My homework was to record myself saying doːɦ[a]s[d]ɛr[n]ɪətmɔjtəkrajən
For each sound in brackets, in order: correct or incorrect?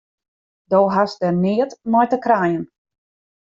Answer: correct, correct, correct

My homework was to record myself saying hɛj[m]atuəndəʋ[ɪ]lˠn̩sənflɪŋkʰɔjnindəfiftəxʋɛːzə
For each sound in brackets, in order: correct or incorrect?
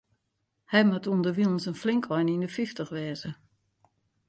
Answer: correct, incorrect: i

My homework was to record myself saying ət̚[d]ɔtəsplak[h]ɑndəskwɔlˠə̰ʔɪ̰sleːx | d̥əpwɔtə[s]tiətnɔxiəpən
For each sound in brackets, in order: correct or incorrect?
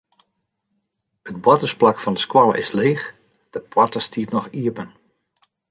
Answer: incorrect: b, incorrect: f, correct

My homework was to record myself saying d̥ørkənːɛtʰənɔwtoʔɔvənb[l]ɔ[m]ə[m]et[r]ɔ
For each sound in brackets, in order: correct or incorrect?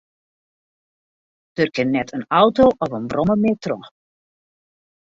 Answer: incorrect: r, correct, correct, correct

